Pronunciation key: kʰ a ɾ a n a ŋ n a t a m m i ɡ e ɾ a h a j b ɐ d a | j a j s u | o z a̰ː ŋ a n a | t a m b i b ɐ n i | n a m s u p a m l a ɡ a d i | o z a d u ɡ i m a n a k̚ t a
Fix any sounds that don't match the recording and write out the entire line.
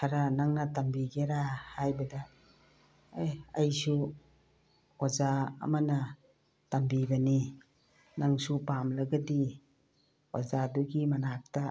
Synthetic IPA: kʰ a ɾ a n a ŋ n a t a m b i ɡ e ɾ a h a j b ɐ d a | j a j s u | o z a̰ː m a n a | t a m b i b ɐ n i | n a ŋ s u p a m l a ɡ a d i | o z a d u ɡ i m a n a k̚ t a